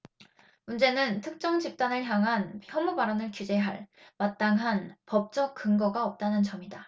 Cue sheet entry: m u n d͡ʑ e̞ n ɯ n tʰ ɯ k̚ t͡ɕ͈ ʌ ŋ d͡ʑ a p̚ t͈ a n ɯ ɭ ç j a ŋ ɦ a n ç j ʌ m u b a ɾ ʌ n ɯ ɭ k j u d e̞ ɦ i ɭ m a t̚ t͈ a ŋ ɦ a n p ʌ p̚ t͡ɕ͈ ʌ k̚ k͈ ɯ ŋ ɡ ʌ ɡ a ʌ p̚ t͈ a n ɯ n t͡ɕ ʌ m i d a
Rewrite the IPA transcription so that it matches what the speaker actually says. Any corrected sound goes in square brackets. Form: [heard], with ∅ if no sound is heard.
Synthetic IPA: m u n d͡ʑ e̞ n ɯ n tʰ ɯ k̚ t͡ɕ͈ ʌ ŋ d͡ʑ [i] p̚ t͈ a n ɯ ɭ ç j a ŋ ɦ a n ç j ʌ m u b a ɾ ʌ n ɯ ɭ k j u [d͡ʑ] e̞ ɦ [a] ɭ m a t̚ t͈ a ŋ ɦ a n p ʌ p̚ t͡ɕ͈ ʌ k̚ k͈ ɯ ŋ ɡ ʌ ɡ a ʌ p̚ t͈ a n ɯ n t͡ɕ ʌ m i d a

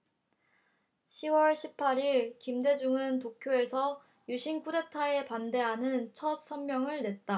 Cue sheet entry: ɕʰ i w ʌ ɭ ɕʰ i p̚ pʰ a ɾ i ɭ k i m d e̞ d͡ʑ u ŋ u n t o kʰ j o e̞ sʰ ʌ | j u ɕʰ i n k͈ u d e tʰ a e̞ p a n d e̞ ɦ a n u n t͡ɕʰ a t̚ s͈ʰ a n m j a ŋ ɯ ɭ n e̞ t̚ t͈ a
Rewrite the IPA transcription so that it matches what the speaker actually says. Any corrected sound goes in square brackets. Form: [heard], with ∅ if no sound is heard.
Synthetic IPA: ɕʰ i w ʌ ɭ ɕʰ i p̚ pʰ a ɾ i ɭ k i m d e̞ d͡ʑ u ŋ [ɯ] n t o kʰ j o e̞ sʰ ʌ | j u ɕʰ i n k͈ u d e tʰ a e̞ p a n d e̞ ɦ a n [ɯ] n t͡ɕʰ [ʌ] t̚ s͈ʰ [ʌ] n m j [ʌ] ŋ ɯ ɭ n e̞ t̚ t͈ a

